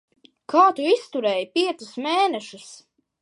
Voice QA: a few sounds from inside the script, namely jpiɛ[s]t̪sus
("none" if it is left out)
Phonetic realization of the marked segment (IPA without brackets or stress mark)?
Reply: none